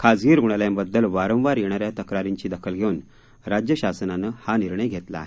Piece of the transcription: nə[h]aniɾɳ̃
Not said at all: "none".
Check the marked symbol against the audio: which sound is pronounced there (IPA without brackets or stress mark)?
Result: h